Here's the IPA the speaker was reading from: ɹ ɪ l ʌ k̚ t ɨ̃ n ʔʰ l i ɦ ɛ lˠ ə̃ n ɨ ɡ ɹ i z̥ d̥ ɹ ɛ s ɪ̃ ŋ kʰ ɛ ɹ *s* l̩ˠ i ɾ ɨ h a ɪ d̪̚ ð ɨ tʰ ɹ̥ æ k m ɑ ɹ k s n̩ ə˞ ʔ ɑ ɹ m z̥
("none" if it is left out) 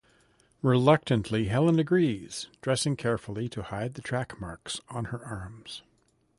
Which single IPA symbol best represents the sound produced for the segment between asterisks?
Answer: f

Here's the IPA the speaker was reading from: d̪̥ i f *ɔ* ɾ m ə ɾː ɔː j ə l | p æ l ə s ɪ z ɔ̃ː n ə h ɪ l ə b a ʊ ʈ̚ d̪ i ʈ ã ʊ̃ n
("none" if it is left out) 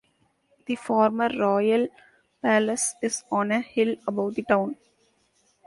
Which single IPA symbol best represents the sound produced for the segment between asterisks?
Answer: ɔː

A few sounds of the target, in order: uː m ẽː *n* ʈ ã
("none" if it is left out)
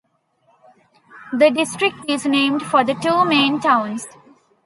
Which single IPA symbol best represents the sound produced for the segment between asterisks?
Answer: n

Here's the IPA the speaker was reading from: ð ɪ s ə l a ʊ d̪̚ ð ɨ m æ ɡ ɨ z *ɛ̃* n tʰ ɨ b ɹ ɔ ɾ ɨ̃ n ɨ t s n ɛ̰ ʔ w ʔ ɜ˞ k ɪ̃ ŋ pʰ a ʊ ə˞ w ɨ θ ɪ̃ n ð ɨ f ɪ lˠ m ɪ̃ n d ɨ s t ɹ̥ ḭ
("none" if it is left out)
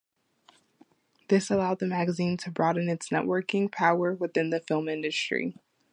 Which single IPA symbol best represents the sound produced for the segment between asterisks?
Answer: ĩ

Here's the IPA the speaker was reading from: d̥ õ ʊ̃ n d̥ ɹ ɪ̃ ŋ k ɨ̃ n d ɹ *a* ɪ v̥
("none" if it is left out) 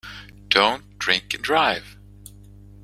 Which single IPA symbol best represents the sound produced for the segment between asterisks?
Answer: a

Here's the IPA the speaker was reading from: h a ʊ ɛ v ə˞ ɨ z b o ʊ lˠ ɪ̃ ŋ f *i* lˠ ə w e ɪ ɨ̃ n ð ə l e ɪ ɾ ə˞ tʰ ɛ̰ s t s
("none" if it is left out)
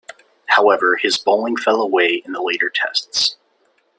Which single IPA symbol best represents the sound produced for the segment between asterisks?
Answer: ɛ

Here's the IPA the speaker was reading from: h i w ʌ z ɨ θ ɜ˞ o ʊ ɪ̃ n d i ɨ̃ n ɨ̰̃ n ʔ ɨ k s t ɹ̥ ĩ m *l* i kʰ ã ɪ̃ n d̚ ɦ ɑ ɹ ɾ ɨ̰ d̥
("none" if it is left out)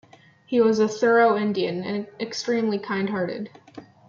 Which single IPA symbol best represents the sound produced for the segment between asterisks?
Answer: l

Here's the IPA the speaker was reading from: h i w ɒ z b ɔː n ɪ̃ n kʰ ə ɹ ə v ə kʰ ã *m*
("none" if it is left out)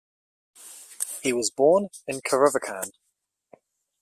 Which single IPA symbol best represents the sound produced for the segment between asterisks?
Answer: n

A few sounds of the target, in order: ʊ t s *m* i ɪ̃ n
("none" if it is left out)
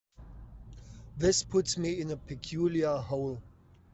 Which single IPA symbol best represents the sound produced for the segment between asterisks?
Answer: m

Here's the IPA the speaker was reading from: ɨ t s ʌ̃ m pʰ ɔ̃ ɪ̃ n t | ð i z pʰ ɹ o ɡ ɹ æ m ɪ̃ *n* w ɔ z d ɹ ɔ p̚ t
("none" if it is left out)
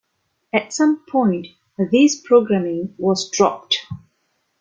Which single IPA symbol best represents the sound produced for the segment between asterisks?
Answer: ŋ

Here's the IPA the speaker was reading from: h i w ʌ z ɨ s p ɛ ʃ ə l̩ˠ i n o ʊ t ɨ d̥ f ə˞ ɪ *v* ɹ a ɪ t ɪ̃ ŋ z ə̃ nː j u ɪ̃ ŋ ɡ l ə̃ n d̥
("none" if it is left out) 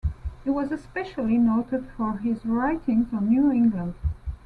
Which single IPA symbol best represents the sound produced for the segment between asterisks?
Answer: z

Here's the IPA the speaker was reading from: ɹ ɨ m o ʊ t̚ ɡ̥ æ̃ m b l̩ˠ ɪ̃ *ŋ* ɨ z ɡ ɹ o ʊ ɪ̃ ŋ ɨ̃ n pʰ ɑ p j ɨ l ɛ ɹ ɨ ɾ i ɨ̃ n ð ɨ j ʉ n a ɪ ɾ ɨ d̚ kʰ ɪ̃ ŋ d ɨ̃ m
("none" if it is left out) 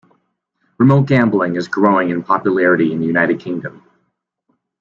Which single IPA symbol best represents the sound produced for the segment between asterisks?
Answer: ŋ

